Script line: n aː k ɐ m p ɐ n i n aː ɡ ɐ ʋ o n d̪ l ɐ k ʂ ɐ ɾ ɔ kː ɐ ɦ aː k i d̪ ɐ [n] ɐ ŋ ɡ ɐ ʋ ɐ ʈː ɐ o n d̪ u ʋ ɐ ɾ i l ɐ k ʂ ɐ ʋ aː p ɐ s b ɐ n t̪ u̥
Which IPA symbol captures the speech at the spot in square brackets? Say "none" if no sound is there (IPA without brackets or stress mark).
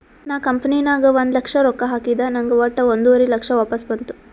n